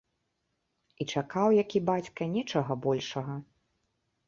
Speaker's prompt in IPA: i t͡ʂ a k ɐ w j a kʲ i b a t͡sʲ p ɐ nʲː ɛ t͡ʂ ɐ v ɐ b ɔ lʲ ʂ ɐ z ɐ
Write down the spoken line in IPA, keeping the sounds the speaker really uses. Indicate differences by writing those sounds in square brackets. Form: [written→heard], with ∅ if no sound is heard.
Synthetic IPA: i t͡ʂ a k [ɐ→a] w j a kʲ i b a t͡sʲ [p→k] ɐ [nʲː→nʲ] ɛ t͡ʂ ɐ [v→ɣ] ɐ b ɔ lʲ ʂ ɐ [z→ɣ] ɐ